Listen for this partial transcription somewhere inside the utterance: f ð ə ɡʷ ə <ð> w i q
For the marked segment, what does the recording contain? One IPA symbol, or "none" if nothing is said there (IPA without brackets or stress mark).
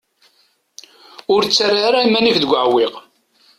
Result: ʕ